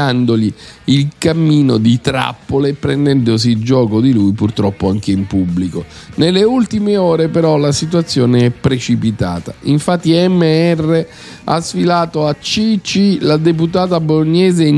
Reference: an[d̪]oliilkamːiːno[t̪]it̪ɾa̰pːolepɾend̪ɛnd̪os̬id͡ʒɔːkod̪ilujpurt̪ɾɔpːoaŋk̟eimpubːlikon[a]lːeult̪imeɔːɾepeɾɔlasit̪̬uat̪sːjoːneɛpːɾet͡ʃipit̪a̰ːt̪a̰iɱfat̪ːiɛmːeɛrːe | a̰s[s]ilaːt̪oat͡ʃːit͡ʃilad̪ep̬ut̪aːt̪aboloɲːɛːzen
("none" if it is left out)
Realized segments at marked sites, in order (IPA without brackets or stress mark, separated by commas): d̪, d̪, e, f